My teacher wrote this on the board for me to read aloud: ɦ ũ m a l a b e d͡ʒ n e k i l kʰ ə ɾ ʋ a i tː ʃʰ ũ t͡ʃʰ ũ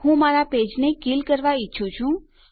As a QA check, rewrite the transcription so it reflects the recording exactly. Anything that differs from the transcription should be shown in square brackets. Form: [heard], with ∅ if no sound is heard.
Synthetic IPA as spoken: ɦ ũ m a [ɾ] a [p] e d͡ʒ n e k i l [k] ə ɾ ʋ a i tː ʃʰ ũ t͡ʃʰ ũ